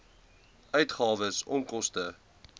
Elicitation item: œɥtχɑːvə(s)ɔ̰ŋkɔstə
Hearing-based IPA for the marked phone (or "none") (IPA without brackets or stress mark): s